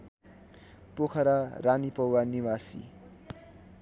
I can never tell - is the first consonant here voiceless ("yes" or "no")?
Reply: yes